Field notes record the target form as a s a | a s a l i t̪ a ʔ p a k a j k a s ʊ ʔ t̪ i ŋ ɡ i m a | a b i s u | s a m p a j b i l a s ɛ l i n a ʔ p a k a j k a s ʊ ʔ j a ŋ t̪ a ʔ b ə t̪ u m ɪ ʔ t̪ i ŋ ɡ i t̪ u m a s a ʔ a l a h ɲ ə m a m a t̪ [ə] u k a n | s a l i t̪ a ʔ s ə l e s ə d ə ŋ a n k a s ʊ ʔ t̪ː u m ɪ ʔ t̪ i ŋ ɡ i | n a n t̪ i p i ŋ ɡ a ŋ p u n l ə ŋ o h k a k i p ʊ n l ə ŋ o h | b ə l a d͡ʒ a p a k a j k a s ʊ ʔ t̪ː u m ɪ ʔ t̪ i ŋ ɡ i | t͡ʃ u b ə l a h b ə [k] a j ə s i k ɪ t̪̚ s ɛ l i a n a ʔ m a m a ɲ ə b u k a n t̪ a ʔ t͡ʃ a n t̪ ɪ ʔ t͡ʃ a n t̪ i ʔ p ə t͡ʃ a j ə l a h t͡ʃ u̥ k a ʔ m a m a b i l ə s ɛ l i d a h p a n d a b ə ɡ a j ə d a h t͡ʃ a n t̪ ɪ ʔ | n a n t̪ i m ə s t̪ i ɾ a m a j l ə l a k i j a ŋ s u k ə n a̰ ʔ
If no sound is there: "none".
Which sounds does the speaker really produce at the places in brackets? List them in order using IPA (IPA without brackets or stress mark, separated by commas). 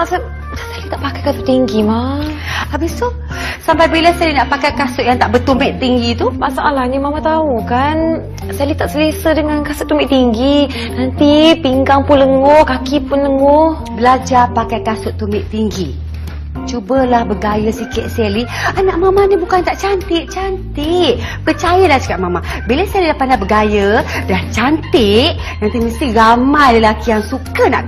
a, ɡ